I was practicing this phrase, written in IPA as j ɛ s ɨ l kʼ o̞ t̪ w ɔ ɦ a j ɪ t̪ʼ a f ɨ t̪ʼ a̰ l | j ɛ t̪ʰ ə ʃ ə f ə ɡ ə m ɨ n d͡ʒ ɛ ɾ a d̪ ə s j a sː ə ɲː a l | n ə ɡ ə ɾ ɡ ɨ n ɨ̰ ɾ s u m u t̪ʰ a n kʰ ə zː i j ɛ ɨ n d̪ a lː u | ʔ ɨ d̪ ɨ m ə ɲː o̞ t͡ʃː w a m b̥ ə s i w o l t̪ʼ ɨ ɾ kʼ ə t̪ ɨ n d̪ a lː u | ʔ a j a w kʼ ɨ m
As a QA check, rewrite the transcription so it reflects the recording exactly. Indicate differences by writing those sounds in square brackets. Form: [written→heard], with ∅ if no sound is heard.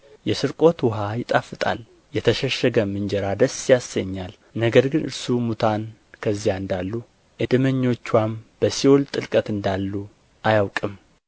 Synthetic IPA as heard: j ɛ s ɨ [l→ɾ] kʼ o̞ t̪ w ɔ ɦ a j ɪ t̪ʼ a f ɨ t̪ʼ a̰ l | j ɛ t̪ʰ ə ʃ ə [f→ʃ] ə ɡ ə m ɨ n d͡ʒ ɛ ɾ a d̪ ə s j a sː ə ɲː a l | n ə ɡ ə ɾ ɡ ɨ n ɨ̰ ɾ s u m u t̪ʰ a n kʰ ə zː i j [ɛ→a] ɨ n d̪ a lː u | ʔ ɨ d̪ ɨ m ə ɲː o̞ t͡ʃː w a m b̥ ə s i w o l t̪ʼ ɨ [ɾ→l] kʼ ə t̪ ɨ n d̪ a lː u | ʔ a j a w kʼ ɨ m